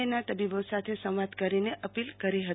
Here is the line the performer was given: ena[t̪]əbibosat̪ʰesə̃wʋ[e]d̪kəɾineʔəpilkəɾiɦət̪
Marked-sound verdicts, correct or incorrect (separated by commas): correct, incorrect